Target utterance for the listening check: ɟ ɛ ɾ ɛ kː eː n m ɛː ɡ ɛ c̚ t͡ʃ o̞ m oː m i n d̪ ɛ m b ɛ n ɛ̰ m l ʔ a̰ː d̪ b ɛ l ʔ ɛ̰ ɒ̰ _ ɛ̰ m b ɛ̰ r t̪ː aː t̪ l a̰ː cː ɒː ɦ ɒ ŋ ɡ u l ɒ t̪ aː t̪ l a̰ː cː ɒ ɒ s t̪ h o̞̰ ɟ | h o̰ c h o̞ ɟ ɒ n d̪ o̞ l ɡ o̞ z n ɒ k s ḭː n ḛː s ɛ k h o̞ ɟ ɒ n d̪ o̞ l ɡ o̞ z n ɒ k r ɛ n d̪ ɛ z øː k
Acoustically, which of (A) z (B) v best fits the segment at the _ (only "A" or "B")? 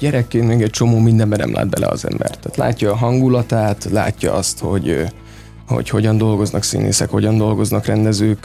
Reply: A